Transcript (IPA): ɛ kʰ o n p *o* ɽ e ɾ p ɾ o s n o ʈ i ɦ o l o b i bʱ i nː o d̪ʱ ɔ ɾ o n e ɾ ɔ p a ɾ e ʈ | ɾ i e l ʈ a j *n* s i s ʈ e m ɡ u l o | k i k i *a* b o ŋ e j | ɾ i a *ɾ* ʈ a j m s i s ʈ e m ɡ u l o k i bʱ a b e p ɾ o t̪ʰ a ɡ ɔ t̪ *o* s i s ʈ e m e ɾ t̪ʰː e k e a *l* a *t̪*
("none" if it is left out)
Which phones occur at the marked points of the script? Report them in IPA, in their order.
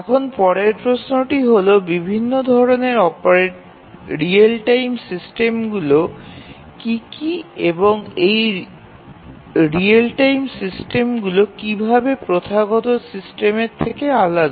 ɔ, m, e, l, o, l, d̪

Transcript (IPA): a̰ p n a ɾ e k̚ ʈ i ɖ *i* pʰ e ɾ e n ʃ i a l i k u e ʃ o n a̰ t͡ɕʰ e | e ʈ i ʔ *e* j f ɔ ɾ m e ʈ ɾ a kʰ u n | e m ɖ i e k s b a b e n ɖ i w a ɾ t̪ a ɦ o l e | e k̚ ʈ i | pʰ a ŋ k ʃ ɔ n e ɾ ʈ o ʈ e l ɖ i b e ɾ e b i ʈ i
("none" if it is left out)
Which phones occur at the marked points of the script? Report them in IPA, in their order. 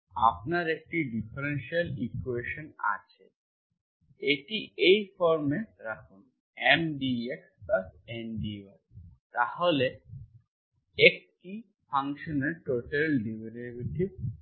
i, e

